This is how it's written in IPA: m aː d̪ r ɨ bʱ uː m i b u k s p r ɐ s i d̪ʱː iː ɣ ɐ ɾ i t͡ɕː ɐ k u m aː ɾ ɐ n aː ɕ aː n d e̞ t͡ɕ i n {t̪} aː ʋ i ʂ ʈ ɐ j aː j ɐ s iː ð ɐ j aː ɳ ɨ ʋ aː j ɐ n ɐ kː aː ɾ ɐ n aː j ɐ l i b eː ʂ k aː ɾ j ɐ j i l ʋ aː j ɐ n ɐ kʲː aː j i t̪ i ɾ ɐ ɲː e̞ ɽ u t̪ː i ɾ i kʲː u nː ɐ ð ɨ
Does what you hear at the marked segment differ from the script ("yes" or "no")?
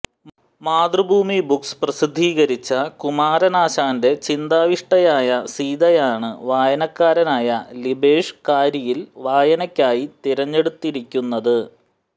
yes